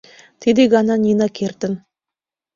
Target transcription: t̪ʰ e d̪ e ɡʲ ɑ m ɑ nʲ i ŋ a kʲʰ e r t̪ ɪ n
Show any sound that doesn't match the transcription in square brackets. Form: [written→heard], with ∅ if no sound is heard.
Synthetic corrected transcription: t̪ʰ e d̪ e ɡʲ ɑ [m→n] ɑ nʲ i [ŋ→n] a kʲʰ e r t̪ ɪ n

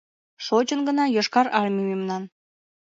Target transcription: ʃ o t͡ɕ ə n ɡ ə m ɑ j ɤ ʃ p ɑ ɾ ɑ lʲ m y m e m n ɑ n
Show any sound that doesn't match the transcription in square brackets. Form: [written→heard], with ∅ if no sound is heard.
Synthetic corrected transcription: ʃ o t͡ɕ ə n ɡ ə [m→n] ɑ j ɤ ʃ [p→k] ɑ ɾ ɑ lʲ m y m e m n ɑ n

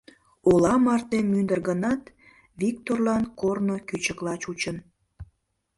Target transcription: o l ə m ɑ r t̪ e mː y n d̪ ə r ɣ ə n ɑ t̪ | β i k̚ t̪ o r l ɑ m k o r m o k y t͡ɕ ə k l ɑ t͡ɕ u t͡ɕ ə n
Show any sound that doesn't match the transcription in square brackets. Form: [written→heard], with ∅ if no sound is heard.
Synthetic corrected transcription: o l [ə→ɑ] m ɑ r t̪ e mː y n d̪ ə r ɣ ə n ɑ t̪ | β i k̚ t̪ o r l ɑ [m→n] k o r [m→n] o k y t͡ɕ ə k l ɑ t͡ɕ u t͡ɕ ə n

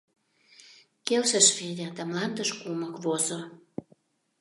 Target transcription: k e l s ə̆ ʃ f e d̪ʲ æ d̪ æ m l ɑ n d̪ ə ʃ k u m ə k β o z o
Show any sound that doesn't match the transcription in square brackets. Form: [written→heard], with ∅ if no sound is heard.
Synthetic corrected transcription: k e l [s→ʃ] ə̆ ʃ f e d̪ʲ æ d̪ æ m l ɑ n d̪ ə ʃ k u m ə k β o z o

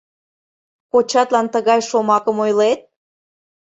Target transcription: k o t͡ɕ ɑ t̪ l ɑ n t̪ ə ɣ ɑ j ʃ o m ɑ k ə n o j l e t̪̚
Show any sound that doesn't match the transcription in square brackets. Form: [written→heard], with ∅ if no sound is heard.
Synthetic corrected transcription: k o t͡ɕ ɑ t̪ l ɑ n t̪ ə ɣ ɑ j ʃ o m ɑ k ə [n→m] o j l e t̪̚

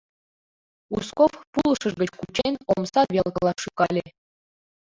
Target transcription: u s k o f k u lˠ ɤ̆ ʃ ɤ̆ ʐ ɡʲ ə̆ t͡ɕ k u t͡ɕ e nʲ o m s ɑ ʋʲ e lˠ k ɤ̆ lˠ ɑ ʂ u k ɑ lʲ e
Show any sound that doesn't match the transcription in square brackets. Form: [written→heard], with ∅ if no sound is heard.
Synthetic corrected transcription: u s k o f [k→p] u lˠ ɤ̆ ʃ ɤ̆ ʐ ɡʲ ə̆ t͡ɕ k u t͡ɕ e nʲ o m s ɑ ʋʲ e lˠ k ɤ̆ lˠ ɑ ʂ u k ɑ lʲ e

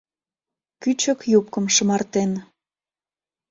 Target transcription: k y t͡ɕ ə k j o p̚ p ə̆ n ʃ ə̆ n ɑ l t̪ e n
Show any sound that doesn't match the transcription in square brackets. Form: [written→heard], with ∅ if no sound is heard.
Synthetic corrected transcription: k y t͡ɕ ə k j [o→u] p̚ [p→k] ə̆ [n→m] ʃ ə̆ [n→m] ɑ [l→r] t̪ e n

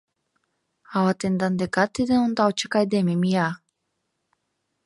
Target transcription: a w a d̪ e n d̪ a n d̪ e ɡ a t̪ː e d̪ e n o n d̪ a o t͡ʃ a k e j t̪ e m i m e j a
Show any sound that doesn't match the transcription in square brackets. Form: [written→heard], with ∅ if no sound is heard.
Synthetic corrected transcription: a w a [d̪→t̪] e n d̪ a n d̪ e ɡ a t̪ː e d̪ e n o n d̪ a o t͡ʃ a k [e→a] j [t̪→d̪] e m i m [e→i] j a

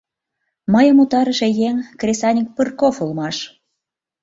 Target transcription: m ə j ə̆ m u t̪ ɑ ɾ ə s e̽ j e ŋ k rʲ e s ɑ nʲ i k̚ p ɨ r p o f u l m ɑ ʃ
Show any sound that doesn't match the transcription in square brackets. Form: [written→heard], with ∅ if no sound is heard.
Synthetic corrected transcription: m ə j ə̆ m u t̪ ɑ ɾ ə [s→ʃ] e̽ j e ŋ k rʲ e s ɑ nʲ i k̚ p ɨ r [p→k] o f u l m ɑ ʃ

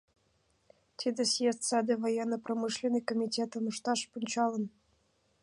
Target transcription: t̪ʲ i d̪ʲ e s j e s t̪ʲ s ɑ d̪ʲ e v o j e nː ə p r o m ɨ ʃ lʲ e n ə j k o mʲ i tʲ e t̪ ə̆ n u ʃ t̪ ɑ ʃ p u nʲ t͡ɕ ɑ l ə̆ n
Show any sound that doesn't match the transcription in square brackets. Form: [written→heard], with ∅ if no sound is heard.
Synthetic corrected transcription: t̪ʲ i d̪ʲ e s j e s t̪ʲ s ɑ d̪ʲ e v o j e nː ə p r o m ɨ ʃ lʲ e n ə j k o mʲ i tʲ e t̪ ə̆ n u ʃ t̪ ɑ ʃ p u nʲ t͡ɕ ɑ l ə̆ n

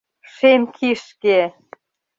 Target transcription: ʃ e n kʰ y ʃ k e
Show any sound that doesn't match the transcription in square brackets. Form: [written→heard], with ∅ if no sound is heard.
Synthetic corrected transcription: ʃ e [n→m] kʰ [y→i] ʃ k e

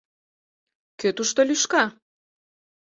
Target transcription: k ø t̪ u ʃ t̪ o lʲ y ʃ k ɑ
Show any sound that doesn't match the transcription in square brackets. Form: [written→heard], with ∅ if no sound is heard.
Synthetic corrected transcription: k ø t̪ u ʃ t̪ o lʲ y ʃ k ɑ

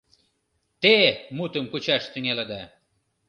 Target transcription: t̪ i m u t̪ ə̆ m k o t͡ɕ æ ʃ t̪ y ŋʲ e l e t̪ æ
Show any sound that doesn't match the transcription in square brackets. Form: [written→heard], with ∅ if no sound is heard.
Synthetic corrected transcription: t̪ [i→e] m u t̪ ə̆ m k [o→u] t͡ɕ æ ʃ t̪ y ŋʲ e l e [t̪→d̪] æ

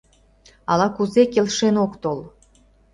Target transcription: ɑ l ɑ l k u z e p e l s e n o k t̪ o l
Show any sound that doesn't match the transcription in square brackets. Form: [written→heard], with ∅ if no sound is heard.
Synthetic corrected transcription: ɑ l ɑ [l→∅] k u z e [p→k] e l [s→ʃ] e n o k t̪ o l

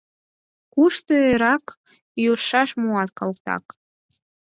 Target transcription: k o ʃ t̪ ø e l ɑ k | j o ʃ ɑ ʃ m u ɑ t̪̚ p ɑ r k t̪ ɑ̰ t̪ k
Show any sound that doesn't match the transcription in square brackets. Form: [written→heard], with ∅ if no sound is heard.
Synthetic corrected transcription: k [o→u] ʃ t̪ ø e [l→ɾ] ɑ k | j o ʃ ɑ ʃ m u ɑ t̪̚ [p→k] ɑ [r→l] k t̪ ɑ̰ [t̪→∅] k

